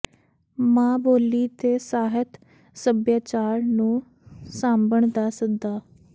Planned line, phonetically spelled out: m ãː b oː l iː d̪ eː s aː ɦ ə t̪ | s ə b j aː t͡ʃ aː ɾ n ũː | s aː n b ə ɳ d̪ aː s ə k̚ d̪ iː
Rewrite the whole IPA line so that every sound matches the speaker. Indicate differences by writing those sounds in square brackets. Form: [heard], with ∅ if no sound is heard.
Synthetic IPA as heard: m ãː b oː l iː [t̪] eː s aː ɦ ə t̪ | s ə b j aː t͡ʃ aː ɾ n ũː | s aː [m] b ə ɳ d̪ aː s ə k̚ d̪ [aː]